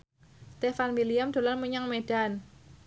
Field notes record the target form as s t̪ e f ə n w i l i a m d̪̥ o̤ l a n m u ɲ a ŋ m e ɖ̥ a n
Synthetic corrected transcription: s t̪ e f a n w i l i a m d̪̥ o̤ l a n m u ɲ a ŋ m e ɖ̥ a n